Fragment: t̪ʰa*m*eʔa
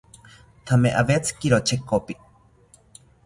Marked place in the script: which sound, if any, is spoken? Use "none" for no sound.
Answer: m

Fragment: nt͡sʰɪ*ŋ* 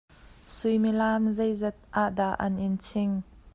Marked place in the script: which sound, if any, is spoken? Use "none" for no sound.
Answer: ŋ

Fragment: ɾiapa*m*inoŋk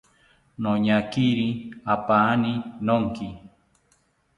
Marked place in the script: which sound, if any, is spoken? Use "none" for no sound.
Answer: n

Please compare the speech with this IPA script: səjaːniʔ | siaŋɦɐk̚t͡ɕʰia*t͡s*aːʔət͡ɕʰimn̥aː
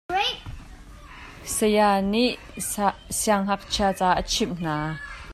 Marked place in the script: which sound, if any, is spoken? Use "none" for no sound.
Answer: t͡s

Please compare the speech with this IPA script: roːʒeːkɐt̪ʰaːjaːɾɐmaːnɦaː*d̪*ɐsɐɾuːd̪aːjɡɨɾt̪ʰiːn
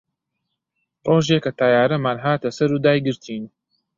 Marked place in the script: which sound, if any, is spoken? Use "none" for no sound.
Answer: t̪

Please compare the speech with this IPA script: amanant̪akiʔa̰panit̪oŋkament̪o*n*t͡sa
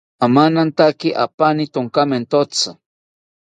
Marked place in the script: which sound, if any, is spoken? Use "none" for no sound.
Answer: none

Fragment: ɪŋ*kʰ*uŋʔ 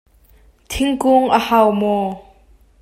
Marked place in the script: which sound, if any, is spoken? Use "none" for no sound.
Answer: k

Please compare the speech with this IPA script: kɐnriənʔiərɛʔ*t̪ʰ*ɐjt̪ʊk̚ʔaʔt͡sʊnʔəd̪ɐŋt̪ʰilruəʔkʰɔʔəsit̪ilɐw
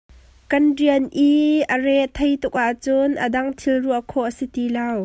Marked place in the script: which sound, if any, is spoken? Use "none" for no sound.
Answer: t̪ʰ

